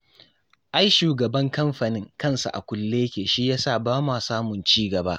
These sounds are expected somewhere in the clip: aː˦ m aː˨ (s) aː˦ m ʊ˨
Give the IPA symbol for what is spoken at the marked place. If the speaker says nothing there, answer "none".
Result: s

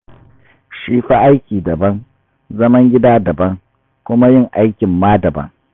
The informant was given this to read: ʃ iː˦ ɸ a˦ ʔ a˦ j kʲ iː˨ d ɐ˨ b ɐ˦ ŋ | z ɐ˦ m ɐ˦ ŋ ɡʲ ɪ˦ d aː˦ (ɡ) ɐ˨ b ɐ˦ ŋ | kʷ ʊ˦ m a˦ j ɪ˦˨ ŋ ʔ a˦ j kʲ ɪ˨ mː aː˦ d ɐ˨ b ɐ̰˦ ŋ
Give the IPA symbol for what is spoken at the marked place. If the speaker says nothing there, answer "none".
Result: d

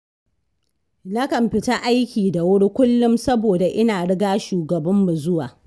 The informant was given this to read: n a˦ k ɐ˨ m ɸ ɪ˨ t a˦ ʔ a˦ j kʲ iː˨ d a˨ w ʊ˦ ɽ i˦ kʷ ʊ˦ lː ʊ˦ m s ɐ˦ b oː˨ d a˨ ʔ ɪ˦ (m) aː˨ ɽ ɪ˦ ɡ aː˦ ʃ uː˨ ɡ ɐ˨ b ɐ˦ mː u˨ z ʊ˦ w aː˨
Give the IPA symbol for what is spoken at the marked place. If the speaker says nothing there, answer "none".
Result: n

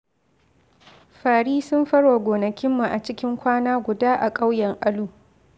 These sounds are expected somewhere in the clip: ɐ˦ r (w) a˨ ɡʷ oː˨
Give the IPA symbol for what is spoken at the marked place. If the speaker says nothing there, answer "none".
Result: w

